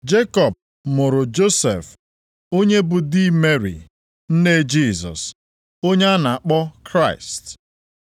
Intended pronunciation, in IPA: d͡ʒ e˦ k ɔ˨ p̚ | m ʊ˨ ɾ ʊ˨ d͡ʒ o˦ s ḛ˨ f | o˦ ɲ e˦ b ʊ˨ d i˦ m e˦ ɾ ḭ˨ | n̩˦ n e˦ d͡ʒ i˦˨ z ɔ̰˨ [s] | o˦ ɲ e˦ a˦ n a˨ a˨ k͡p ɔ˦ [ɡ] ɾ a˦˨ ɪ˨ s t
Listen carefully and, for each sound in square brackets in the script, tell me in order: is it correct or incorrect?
correct, incorrect

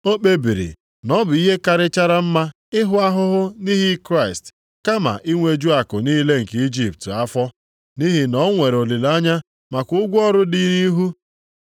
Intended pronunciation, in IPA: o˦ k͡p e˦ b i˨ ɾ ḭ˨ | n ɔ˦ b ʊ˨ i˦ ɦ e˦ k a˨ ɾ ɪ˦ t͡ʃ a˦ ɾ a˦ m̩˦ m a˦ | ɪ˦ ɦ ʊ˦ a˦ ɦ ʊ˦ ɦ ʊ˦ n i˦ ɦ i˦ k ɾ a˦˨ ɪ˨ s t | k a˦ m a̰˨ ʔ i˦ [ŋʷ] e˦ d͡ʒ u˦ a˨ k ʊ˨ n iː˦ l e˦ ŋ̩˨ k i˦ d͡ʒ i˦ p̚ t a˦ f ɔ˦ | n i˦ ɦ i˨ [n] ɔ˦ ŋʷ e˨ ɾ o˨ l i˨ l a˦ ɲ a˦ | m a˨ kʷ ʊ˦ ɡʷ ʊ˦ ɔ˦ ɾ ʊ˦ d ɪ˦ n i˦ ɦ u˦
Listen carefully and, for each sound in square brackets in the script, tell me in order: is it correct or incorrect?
correct, correct

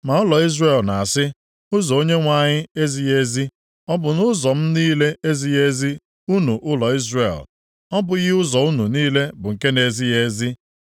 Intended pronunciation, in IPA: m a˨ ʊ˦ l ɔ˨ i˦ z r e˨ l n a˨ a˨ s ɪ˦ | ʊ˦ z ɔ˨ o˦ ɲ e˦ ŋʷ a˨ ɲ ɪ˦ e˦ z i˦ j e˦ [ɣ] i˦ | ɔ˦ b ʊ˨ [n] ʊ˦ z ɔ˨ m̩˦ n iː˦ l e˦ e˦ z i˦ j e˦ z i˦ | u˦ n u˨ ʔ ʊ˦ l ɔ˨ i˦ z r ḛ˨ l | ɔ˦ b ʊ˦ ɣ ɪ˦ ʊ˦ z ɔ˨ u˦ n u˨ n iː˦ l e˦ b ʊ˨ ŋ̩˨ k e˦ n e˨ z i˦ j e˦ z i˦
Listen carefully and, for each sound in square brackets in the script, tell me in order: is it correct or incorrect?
incorrect, correct

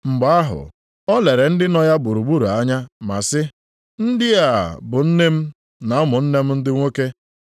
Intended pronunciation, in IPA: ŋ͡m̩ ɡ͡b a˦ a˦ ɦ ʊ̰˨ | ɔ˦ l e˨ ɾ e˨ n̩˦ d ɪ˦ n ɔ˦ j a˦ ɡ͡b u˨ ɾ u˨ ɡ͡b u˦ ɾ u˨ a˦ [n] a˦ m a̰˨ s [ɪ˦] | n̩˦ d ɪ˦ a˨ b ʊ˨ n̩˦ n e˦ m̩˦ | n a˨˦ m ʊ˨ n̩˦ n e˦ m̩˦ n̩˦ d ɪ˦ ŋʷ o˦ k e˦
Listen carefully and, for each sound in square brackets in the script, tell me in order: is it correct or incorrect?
incorrect, correct

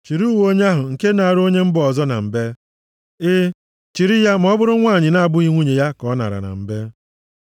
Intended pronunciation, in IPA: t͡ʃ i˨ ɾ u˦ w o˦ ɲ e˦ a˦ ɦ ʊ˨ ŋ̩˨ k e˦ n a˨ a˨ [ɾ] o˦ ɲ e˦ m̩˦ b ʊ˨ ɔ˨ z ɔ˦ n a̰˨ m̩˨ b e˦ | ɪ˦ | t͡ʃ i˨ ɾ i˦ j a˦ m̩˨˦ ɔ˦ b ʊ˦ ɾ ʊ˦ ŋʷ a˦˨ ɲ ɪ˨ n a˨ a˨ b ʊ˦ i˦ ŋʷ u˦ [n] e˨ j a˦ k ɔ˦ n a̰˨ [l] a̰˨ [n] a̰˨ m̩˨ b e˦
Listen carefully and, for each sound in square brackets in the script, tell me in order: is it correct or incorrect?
correct, incorrect, incorrect, correct

